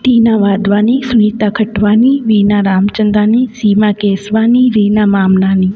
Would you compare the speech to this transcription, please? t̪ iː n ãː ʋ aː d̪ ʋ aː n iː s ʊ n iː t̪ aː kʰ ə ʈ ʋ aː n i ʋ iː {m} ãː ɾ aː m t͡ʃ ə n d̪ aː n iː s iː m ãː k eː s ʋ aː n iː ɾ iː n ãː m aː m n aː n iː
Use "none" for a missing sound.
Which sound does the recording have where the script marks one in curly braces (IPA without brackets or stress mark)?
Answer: n